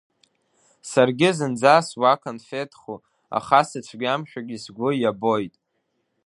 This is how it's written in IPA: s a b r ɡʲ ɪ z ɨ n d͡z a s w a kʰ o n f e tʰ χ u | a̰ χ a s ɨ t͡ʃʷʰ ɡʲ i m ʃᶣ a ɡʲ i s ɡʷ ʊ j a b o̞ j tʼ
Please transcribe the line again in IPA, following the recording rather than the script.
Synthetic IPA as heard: s a r ɡʲ ɪ z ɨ n d͡z a s w a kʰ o n f e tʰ χ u | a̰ χ a s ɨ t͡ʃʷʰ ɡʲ a m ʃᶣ a ɡʲ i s ɡʷ ʊ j a b o̞ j tʼ